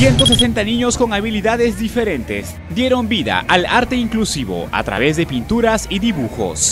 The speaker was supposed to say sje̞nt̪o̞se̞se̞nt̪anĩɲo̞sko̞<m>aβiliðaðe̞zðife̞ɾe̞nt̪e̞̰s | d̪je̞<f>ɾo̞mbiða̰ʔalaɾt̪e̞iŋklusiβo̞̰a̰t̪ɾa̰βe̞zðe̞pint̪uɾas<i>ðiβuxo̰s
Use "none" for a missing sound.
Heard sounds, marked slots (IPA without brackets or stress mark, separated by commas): ŋ, none, i